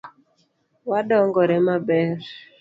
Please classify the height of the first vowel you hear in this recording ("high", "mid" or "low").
low